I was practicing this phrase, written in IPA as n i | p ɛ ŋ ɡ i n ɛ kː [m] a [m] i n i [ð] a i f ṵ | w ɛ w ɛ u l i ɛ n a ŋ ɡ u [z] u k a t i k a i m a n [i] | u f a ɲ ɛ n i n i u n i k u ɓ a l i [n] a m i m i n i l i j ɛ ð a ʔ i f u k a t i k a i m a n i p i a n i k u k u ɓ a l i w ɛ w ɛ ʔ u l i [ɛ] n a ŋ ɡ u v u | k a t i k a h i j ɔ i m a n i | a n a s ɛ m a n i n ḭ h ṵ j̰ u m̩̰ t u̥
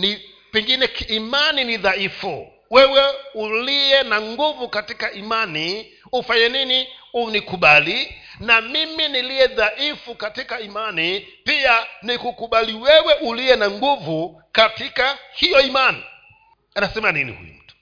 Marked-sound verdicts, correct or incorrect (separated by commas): correct, incorrect, correct, incorrect, correct, correct, correct